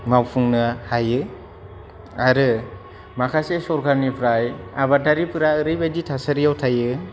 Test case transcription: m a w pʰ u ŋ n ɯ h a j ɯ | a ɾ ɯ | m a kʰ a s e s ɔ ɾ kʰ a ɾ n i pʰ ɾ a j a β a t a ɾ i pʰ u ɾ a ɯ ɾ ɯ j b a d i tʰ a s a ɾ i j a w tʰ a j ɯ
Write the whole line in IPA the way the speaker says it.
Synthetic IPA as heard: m a w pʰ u ŋ n ɯ h a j ɯ | a ɾ ɯ | m a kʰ a s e s ɔ ɾ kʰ a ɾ n i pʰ ɾ a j a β a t a ɾ i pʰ ɯ ɾ a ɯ ɾ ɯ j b a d i tʰ a s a ɾ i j a w tʰ a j ɯ